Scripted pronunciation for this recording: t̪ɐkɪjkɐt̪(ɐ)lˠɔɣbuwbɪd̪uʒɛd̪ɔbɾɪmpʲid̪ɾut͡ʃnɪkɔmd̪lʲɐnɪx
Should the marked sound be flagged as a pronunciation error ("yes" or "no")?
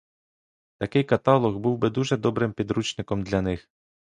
yes